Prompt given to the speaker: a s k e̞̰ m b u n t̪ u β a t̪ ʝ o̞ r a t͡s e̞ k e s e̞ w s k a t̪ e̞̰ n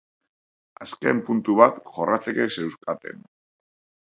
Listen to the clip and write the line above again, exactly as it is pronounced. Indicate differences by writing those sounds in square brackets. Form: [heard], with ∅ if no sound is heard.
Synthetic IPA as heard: a s k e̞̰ m [p] u n t̪ u β a t̪ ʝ o̞ r a t͡s e̞ k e s e̞ w s k a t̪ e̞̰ n